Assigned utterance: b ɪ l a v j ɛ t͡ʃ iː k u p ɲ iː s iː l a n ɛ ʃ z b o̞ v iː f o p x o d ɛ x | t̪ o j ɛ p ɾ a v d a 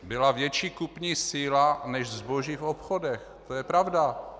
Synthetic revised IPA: b ɪ l a v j ɛ t͡ʃ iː k u p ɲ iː s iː l a n ɛ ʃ z b o̞ ʒ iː f o p x o d ɛ x | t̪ o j ɛ p ɾ a v d a